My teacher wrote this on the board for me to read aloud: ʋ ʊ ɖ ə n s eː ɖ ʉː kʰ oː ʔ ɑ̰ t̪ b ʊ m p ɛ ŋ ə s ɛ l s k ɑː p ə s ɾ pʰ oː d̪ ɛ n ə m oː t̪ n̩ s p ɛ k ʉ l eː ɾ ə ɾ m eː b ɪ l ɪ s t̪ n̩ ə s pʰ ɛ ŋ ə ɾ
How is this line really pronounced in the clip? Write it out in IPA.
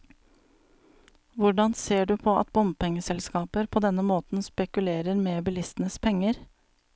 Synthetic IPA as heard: ʋ ʊ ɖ ɑ n s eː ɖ ʉː pʰ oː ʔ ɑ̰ t̪ b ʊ m p ɛ ŋ ə s ɛ l s k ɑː p ə ɾ pʰ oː d̪ ɛ n ə m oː t̪ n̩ s p ɛ k ʉ l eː ɾ ə ɾ m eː b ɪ l ɪ s t̪ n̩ ə s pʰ ɛ ŋ ə ɾ